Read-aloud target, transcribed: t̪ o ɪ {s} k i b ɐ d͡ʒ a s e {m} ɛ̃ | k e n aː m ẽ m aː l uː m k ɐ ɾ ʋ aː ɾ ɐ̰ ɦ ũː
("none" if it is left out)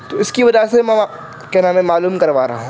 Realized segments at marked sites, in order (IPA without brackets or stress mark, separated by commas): s, m